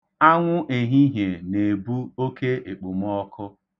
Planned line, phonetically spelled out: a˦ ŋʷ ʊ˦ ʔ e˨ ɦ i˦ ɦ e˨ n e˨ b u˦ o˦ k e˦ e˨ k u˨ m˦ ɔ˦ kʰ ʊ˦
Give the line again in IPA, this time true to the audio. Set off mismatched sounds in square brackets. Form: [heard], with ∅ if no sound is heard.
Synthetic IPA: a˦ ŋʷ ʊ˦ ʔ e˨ ɦ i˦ ɦ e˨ n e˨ b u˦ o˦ k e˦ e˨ [k͡p] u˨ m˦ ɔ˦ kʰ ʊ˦